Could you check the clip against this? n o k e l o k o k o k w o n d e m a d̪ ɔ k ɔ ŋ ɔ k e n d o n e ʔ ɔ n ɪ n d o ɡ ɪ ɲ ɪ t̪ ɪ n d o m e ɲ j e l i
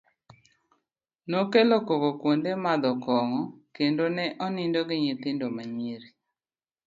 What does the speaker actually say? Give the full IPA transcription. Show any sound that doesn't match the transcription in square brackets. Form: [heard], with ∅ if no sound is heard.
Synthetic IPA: n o k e l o k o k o k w o n d e m a d̪ ɔ k ɔ ŋ ɔ k e n d o n [ɛ] ʔ ɔ n ɪ n d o ɡ ɪ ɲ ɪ t̪ ɪ n d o m [a] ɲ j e [ɾ] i